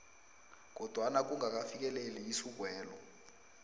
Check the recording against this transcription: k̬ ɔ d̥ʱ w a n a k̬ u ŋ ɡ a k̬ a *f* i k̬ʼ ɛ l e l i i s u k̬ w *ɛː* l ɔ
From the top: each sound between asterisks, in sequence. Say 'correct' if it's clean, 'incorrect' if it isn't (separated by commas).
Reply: correct, correct